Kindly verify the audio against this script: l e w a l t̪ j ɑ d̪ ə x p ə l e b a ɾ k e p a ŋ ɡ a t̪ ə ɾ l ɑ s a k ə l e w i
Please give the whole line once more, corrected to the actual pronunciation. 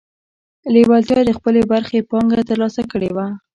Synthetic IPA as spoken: l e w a l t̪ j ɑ d̪ ə x p ə l e b a ɾ x e p ɑ ŋ ɡ a t̪ ə ɾ l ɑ s a k ə ɽ e w a